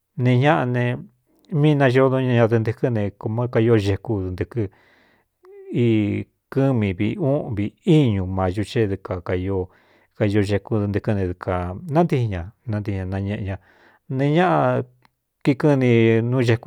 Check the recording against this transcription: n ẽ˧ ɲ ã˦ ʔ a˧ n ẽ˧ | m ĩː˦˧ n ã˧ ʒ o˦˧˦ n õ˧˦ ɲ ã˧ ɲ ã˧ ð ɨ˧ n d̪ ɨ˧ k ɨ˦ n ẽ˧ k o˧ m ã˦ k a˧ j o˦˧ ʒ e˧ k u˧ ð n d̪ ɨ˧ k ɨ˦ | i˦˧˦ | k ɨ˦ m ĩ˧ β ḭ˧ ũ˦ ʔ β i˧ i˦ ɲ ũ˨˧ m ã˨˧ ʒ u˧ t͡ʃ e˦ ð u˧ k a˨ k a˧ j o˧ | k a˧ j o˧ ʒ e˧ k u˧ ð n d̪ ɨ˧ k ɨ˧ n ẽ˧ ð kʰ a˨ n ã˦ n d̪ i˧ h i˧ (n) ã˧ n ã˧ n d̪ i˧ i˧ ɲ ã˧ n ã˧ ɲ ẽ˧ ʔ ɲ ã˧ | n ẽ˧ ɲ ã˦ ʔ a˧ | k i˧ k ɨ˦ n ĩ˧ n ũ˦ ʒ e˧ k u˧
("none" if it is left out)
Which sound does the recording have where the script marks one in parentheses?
ɲ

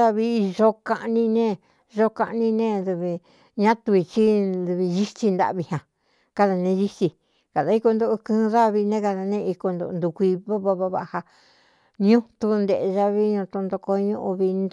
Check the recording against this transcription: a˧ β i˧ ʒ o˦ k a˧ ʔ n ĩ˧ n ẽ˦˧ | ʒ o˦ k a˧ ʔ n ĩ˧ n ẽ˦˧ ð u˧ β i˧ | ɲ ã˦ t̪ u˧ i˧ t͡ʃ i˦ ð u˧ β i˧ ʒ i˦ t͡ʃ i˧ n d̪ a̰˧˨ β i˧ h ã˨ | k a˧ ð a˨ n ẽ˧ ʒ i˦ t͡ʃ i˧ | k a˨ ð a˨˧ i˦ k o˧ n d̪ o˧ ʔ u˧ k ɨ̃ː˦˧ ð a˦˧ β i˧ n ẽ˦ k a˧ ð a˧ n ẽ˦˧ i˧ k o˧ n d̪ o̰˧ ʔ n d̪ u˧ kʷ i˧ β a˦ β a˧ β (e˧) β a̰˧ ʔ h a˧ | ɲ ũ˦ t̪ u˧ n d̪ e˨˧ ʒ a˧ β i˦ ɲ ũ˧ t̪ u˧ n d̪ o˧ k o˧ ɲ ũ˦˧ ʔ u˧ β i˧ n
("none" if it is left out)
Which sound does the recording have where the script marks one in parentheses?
a˧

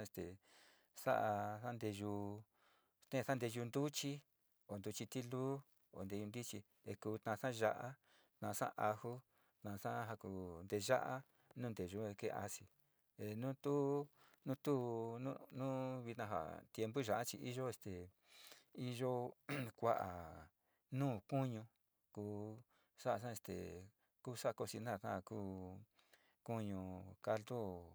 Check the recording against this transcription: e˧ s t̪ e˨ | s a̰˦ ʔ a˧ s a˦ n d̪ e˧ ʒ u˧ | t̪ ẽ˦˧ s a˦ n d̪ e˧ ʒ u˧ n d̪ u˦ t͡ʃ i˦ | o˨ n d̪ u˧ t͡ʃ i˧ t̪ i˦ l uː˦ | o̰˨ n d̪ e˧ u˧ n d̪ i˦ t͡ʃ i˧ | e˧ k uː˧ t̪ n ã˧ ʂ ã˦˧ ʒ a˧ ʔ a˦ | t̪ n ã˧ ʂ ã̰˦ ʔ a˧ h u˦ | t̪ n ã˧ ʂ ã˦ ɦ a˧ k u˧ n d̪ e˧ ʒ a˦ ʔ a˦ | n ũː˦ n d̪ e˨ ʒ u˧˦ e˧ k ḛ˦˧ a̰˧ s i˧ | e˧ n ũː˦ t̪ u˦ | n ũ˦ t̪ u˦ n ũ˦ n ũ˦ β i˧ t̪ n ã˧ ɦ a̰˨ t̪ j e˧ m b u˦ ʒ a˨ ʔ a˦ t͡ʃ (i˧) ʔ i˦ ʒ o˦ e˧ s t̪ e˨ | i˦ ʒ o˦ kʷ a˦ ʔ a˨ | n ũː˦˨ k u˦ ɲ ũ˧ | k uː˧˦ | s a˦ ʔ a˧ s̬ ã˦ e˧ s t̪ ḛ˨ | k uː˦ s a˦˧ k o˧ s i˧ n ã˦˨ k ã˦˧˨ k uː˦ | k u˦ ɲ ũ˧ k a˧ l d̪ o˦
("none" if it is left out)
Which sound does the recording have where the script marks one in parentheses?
i˧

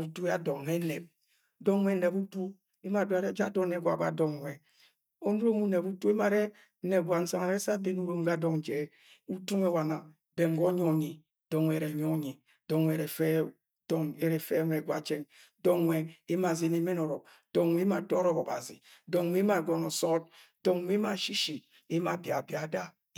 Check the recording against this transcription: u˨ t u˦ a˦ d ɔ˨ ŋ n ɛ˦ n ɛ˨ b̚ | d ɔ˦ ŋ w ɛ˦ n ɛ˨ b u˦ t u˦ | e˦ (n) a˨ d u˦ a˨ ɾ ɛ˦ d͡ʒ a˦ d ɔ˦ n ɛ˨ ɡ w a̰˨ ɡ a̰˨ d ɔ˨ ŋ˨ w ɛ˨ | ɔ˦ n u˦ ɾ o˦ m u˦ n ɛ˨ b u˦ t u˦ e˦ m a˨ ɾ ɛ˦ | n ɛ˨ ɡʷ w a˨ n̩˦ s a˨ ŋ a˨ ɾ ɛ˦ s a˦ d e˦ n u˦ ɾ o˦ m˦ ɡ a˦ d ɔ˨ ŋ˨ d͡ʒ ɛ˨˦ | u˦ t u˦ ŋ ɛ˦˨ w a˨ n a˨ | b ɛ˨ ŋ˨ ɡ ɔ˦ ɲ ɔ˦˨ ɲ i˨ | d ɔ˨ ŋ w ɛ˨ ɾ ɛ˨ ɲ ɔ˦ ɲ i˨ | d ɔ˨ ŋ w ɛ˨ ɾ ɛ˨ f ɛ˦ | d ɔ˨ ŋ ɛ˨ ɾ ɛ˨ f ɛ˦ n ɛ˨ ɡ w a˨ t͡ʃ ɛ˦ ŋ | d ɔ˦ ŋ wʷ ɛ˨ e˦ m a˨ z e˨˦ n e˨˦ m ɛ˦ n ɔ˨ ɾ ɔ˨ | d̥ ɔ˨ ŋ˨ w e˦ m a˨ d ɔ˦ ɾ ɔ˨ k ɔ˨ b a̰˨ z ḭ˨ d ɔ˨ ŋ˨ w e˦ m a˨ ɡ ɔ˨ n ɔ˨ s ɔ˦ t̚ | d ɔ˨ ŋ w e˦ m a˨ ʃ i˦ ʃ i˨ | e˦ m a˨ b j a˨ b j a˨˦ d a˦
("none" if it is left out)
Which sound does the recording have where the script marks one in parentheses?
m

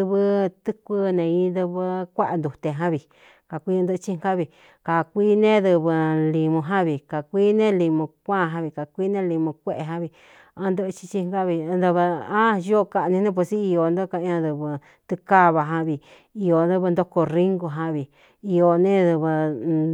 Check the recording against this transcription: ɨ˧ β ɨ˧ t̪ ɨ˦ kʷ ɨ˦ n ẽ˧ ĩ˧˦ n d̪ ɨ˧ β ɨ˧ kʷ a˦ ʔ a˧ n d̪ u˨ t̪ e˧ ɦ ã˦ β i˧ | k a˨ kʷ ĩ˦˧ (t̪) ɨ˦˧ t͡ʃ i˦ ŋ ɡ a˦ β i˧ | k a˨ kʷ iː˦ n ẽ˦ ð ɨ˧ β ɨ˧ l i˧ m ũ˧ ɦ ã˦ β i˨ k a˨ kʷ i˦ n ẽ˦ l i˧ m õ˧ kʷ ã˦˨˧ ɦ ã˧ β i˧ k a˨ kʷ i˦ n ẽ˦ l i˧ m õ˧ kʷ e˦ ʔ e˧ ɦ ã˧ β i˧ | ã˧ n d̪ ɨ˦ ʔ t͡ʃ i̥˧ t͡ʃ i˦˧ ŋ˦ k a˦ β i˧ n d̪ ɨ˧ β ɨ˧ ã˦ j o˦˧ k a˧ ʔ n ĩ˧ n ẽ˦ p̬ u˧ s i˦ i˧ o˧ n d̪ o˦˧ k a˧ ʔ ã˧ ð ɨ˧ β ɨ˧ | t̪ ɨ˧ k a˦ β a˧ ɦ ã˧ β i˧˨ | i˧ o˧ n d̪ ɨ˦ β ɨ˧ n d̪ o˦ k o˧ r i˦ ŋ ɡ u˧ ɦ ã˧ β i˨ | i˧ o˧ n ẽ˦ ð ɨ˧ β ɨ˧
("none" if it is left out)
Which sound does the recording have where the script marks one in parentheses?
d̪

